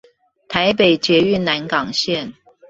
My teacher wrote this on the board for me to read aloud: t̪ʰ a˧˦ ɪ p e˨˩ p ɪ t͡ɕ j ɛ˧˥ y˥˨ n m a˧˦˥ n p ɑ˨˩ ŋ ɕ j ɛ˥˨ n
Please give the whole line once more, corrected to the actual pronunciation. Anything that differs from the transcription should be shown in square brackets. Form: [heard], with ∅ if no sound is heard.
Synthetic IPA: t̪ʰ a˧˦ ɪ p e˨˩ [∅] ɪ t͡ɕ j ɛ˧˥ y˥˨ n [n] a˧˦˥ n [k] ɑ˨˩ ŋ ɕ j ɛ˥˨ n